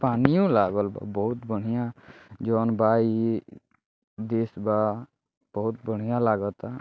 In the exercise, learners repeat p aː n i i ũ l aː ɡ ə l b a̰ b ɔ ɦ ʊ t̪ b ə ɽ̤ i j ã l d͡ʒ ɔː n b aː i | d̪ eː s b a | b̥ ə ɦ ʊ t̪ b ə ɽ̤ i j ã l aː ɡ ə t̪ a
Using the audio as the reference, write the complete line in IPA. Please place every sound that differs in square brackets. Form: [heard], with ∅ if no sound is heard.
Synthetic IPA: p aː n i [j] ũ l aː ɡ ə l b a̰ b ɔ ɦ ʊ t̪ b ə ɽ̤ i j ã [∅] d͡ʒ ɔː n b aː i | d̪ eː s b a | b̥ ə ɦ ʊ t̪ b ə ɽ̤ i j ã l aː ɡ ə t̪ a